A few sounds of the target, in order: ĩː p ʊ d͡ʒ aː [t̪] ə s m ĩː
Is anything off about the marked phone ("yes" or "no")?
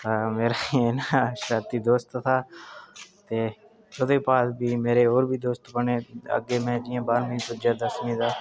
yes